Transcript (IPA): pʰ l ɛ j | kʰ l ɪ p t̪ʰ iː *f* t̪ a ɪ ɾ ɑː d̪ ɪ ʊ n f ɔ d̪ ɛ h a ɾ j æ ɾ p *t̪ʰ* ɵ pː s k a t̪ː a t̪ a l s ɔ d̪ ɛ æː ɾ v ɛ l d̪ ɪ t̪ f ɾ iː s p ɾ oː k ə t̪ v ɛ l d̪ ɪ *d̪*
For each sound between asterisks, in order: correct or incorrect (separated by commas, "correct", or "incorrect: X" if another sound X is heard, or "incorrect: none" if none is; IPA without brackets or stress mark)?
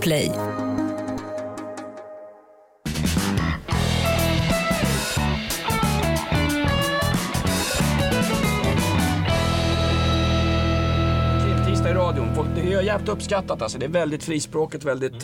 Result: incorrect: s, incorrect: t̪, incorrect: t̪